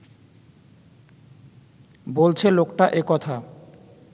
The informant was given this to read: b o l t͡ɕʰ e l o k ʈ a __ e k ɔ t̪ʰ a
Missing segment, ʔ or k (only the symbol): ʔ